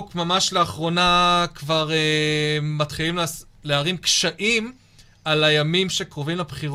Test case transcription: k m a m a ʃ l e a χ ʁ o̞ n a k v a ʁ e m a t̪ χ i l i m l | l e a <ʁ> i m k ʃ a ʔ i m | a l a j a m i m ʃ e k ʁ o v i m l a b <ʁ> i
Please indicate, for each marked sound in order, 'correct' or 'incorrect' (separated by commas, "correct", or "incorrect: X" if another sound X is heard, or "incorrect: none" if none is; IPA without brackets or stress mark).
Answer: correct, incorrect: χ